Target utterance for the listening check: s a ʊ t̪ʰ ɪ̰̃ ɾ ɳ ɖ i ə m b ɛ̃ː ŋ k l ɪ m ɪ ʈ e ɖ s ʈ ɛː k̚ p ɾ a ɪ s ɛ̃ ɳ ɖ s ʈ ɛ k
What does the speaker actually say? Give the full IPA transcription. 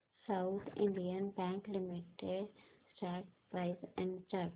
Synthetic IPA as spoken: s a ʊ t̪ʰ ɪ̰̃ ɳ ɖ i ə n b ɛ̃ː ŋ k l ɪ m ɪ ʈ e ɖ s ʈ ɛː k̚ p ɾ a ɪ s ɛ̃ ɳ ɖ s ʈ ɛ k